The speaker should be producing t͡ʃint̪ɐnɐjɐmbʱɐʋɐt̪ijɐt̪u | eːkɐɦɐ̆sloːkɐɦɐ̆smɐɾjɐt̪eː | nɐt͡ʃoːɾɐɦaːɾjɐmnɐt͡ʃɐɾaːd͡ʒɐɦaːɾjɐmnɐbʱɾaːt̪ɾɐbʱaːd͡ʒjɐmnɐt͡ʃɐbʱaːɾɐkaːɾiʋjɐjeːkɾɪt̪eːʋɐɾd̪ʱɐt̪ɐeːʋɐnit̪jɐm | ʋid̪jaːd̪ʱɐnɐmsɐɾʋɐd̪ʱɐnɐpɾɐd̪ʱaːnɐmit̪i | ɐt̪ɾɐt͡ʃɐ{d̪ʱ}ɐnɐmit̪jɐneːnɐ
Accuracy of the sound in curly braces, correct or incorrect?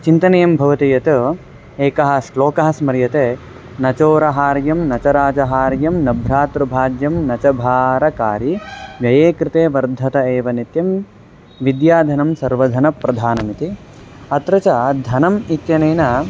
correct